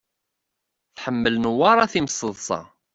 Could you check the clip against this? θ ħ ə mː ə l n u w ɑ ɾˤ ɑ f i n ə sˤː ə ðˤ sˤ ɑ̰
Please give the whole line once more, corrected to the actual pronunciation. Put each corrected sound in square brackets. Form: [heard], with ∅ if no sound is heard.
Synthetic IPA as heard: θ ħ ə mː ə l n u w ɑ ɾˤ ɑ [θ] i [m] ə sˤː ə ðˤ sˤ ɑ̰